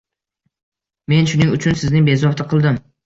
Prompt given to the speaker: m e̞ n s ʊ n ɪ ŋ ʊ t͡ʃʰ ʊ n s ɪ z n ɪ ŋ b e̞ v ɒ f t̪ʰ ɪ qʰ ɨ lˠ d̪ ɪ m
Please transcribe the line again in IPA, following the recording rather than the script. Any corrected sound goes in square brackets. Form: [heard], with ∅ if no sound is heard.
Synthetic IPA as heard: m e̞ n [ʃ] ʊ n ɪ ŋ ʊ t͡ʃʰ ʊ n s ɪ z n ɪ ŋ b e̞ [z] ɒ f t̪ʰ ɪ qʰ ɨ lˠ d̪ ɪ m